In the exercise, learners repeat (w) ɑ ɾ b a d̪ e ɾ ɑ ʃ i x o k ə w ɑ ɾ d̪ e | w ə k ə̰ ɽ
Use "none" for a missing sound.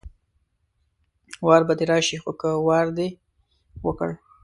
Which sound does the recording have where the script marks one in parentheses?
w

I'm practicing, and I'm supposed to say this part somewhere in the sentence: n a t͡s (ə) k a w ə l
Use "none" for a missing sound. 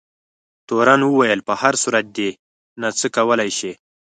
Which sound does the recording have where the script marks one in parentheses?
ə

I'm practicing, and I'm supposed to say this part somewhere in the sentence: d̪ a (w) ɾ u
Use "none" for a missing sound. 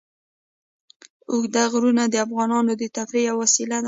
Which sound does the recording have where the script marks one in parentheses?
ɣ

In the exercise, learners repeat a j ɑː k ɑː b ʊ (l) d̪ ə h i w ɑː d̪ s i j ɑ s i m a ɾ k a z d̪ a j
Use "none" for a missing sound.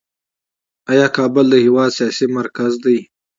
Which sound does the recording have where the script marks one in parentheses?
l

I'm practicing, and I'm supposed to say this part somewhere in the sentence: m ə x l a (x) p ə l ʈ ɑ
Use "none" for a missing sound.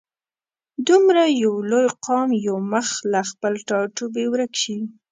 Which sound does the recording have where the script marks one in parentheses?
x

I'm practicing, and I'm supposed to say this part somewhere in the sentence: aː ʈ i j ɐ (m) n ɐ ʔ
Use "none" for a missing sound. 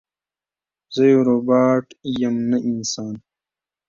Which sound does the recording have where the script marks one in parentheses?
m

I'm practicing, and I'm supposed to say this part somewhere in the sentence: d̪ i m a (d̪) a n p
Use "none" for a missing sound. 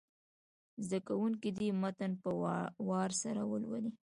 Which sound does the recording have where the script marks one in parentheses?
t̪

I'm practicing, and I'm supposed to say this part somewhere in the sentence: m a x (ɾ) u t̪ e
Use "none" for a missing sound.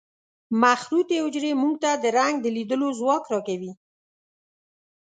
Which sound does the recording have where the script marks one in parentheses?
ɾ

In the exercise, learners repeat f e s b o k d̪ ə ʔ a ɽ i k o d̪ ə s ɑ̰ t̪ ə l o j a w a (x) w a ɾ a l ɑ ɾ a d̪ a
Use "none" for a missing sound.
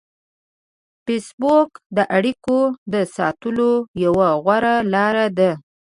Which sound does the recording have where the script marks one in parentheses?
ɣ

